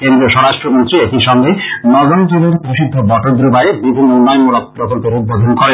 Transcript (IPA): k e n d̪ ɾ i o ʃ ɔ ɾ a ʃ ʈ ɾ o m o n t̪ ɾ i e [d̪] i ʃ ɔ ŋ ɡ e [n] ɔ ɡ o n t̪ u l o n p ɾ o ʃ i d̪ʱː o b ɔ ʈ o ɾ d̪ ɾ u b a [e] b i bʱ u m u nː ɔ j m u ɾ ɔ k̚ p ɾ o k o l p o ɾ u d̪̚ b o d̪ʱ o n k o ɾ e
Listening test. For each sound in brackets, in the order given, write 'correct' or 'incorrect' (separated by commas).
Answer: incorrect, correct, correct